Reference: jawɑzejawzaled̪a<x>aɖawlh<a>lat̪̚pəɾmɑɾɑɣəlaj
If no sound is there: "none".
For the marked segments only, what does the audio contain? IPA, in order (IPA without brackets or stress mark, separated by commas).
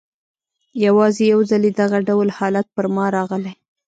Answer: ɣ, ɑ